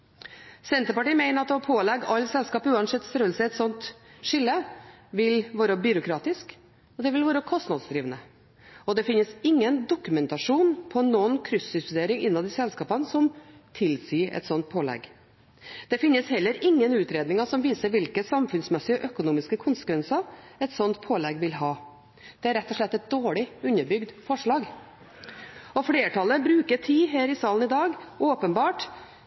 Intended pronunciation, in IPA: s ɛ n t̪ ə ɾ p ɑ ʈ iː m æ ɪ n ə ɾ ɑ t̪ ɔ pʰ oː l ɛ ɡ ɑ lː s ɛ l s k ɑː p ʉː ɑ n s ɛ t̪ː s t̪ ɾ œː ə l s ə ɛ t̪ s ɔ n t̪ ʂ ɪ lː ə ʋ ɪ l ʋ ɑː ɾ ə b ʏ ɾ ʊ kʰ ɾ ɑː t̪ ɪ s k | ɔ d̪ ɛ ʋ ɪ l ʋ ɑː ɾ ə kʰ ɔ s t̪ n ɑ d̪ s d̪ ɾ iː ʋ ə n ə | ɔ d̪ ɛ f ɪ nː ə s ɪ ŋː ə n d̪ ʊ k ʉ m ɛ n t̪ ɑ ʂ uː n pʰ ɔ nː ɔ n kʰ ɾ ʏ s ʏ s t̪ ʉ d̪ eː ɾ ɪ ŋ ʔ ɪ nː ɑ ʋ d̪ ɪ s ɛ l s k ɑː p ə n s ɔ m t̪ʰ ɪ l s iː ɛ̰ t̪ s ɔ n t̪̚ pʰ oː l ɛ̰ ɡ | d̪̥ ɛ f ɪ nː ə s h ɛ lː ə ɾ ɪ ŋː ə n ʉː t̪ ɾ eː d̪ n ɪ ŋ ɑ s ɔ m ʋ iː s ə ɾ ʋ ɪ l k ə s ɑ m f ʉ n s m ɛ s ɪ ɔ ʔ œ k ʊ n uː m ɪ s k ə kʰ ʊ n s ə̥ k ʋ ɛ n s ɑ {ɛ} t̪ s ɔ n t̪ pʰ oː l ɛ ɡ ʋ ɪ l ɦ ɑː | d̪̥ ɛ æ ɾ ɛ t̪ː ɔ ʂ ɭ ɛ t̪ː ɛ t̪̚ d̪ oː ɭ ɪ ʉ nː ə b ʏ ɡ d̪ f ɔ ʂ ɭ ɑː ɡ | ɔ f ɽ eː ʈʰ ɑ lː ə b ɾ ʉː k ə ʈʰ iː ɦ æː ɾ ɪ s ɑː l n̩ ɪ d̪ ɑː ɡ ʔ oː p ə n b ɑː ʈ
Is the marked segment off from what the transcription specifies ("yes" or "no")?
no